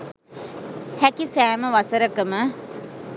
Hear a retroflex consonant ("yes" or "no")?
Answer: no